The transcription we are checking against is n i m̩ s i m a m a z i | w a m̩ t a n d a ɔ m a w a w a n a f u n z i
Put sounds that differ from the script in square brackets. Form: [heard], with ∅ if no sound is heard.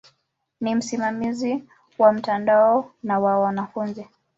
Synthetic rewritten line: n i m̩ s i m a m [i] z i | w a m̩ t a n d a ɔ [n] a w a w a n a f u n z i